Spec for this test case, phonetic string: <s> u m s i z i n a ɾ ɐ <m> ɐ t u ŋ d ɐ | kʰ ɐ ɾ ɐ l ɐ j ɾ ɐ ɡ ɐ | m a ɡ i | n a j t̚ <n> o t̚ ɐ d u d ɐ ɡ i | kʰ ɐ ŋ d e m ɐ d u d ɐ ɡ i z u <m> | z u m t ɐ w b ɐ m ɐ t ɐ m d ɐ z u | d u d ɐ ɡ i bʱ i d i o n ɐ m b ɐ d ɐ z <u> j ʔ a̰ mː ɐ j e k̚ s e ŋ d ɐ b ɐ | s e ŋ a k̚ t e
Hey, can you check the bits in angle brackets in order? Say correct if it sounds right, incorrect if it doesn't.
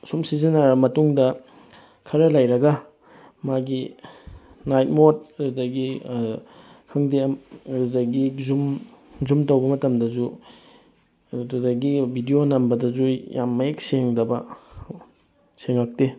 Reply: correct, correct, incorrect: m, correct, correct

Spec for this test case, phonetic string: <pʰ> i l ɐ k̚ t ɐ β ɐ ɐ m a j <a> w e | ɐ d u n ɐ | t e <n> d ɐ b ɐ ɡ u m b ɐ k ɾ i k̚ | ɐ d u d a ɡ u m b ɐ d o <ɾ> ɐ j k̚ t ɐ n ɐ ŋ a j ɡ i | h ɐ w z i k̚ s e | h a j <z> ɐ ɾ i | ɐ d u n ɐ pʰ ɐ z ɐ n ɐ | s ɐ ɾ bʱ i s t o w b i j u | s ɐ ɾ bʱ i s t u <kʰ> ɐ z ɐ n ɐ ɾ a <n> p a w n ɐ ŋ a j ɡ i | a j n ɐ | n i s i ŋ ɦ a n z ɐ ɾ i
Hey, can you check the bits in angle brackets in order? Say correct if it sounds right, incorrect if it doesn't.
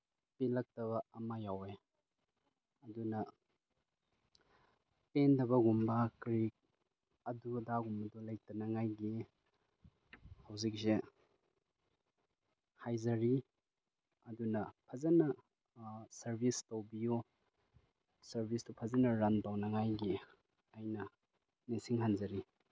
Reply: incorrect: p, correct, correct, incorrect: l, correct, incorrect: pʰ, correct

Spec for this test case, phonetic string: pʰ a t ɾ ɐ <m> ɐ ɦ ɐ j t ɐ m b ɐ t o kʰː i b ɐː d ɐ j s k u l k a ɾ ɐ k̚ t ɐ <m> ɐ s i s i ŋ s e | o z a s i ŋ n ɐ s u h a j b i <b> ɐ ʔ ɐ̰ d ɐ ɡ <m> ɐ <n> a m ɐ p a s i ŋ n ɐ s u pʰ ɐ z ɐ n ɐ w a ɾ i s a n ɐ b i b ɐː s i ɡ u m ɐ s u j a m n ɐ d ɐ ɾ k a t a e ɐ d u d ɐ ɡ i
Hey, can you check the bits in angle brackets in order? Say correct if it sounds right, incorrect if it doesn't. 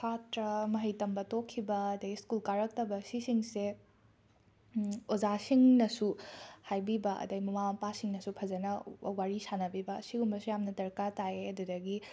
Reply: correct, incorrect: b, correct, correct, incorrect: m

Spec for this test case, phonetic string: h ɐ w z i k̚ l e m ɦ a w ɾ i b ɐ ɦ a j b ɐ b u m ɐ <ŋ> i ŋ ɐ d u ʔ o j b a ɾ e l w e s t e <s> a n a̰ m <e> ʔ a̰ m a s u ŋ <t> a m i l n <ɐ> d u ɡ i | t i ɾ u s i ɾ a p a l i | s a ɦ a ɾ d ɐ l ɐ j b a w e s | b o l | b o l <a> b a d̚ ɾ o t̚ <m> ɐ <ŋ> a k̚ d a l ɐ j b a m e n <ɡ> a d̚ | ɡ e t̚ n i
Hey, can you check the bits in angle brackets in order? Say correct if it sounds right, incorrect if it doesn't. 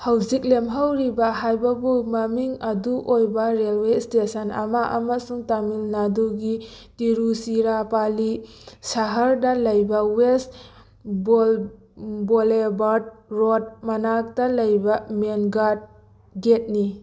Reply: incorrect: m, correct, incorrect: a, correct, incorrect: a, incorrect: e, correct, incorrect: n, correct

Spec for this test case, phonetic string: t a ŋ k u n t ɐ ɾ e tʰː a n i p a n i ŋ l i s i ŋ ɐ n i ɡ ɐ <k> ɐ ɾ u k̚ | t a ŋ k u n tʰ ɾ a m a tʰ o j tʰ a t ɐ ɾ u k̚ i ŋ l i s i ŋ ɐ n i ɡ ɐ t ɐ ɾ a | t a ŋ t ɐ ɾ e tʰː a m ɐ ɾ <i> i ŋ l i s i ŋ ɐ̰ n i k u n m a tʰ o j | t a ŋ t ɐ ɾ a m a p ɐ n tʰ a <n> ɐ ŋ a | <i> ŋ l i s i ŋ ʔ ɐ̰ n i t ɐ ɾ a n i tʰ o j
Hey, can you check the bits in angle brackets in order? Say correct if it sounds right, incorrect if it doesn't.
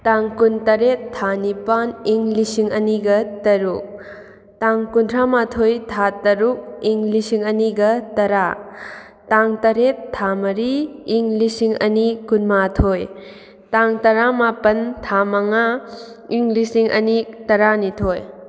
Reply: incorrect: t, correct, incorrect: m, correct

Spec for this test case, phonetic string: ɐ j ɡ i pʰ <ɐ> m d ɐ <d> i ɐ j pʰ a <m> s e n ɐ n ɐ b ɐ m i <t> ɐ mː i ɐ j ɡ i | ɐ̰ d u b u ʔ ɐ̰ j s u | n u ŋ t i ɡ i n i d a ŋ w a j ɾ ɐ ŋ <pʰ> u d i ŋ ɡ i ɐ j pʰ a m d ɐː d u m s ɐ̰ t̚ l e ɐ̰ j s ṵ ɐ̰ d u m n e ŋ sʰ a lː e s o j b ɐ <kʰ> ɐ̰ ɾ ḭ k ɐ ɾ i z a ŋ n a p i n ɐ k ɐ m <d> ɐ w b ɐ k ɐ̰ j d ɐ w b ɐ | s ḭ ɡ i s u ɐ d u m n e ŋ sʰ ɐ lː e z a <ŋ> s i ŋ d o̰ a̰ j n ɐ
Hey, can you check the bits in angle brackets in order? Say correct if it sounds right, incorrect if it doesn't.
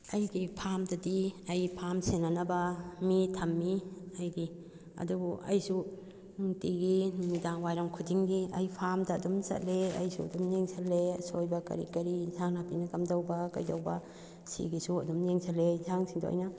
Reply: incorrect: a, correct, correct, incorrect: tʰ, incorrect: kʰ, incorrect: k, correct, correct

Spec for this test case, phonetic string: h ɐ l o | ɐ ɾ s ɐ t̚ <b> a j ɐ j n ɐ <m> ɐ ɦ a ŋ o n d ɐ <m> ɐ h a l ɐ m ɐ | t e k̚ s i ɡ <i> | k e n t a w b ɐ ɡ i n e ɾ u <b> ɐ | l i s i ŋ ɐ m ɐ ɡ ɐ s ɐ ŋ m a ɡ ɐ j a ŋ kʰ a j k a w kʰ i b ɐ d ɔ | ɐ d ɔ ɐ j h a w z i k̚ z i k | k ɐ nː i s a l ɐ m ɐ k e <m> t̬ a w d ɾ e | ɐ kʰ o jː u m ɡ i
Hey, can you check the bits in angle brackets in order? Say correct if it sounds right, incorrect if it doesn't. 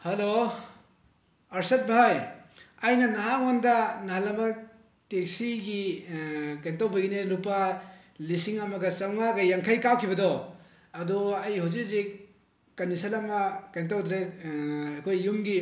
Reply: correct, incorrect: n, incorrect: n, correct, incorrect: p, incorrect: n

